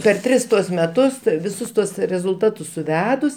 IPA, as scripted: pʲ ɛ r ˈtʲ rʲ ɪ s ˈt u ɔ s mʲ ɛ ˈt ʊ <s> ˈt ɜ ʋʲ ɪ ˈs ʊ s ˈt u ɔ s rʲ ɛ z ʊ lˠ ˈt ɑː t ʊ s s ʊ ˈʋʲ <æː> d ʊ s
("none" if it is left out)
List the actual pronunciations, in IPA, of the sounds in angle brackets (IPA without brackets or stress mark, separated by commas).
s, æː